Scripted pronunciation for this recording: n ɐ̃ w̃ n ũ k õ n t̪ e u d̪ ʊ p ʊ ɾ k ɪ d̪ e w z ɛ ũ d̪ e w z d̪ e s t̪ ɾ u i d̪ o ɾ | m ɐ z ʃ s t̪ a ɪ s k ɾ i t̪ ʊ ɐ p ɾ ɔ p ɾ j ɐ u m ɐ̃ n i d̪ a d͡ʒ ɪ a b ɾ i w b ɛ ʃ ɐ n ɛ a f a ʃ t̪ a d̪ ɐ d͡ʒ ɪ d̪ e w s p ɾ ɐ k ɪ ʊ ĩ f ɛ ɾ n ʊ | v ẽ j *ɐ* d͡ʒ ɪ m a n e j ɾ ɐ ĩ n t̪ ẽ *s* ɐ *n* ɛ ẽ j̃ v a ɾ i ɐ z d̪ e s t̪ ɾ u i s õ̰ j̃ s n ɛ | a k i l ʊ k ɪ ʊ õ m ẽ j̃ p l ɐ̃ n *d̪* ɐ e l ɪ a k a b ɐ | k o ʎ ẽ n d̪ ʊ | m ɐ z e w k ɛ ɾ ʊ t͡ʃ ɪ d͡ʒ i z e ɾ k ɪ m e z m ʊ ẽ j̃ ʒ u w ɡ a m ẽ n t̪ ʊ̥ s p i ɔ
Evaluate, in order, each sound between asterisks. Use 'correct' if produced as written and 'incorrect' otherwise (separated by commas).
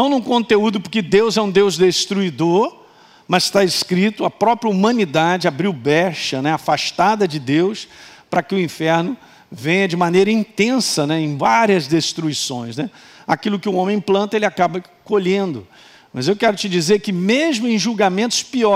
correct, correct, correct, incorrect